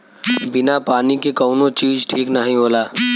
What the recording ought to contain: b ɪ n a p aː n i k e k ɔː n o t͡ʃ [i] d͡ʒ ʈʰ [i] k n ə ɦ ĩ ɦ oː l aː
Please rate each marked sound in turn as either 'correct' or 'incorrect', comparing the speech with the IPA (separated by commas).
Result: incorrect, incorrect